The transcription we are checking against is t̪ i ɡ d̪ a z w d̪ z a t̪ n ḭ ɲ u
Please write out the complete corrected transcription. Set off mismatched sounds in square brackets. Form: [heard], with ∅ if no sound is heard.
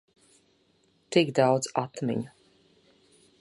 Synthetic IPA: t̪ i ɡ d̪ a [∅] w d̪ z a t̪ [m] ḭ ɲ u